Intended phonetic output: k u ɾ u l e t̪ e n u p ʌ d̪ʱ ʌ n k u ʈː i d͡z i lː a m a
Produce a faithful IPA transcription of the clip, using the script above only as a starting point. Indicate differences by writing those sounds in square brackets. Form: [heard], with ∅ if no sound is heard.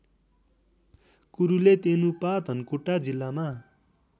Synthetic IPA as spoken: k u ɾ u l e t̪ e n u p [a] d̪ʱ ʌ n k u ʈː [a] d͡z i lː a m a

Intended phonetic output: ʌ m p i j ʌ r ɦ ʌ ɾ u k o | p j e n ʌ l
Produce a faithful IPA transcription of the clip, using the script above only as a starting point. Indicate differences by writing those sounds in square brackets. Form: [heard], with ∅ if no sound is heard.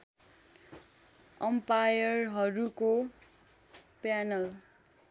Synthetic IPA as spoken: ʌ m p [a] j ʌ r ɦ ʌ ɾ u k o | p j [a] n ʌ l

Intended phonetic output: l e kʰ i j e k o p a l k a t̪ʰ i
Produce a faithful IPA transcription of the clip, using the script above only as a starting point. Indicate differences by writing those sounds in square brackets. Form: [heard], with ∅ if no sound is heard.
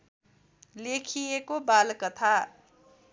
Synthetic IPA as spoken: l e kʰ i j e k o [b] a l k [ʌ] t̪ʰ [a]

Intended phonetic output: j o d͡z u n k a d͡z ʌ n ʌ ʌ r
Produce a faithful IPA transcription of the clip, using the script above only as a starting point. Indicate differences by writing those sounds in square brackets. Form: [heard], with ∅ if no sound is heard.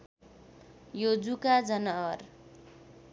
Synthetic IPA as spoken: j o d͡z u [∅] k a d͡z ʌ n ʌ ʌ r

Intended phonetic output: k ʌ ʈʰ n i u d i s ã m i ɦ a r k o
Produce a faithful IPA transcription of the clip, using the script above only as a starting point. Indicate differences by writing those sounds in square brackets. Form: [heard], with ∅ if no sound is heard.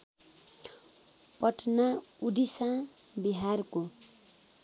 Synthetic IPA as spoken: [p] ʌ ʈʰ n [a] u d i s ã [b] i ɦ a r k o

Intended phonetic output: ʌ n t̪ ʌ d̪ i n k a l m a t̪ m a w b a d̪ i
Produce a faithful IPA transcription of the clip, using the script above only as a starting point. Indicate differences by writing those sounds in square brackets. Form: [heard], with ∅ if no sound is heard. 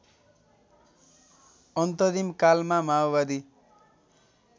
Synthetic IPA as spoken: ʌ n t̪ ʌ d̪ i [m] k a l m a [∅] m a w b a d̪ i

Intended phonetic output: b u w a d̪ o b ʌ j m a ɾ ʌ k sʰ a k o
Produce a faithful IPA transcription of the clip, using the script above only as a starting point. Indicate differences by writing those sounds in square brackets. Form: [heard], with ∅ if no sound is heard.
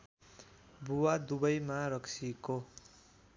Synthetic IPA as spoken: b u w a d̪ [u] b ʌ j m a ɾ ʌ k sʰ [i] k o

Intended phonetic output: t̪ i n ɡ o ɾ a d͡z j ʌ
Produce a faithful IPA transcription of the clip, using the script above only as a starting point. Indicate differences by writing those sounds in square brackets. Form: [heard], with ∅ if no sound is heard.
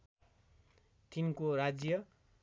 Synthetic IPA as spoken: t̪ i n [k] o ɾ a d͡z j ʌ

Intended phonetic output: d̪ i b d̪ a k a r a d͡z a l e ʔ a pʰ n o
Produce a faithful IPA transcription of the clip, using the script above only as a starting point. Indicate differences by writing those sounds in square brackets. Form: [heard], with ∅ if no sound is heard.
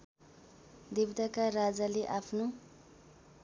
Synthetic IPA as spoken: d̪ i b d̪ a k a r a d͡z a l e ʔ a pʰ n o

